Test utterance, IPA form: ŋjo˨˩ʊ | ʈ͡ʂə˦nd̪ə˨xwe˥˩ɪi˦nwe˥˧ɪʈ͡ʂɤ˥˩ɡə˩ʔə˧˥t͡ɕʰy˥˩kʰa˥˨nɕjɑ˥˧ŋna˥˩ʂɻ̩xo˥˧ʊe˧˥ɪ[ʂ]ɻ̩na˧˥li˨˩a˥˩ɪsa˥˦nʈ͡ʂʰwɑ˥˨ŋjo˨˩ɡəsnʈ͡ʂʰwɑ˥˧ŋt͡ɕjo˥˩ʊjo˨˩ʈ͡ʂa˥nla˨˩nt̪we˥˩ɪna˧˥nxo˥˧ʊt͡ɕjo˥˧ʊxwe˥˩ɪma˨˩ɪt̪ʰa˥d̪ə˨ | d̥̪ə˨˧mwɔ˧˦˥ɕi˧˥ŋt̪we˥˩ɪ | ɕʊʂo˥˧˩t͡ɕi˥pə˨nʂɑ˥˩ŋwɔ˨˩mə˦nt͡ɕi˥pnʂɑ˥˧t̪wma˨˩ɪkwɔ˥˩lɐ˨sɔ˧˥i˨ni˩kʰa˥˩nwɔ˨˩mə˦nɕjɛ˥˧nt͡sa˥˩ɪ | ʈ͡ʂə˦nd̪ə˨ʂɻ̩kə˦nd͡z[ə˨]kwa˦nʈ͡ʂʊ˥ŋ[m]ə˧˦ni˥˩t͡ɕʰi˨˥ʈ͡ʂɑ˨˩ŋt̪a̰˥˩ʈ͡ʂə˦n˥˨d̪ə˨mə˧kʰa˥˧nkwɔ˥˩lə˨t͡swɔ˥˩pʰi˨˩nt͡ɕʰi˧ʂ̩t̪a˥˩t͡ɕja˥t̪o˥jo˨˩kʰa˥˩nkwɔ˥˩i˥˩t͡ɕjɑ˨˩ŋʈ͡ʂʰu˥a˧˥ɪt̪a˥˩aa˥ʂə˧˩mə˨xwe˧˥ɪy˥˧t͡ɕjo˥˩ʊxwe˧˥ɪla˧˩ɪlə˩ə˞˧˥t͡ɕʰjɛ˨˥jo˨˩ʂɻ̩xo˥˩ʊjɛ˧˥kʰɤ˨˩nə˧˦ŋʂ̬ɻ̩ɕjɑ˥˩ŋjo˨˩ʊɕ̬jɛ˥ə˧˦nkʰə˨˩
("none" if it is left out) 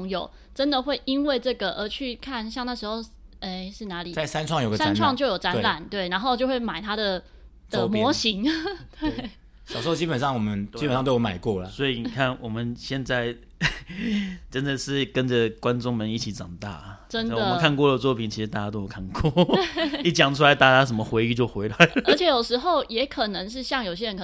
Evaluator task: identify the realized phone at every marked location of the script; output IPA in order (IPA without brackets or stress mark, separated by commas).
ʂ, ə˨, m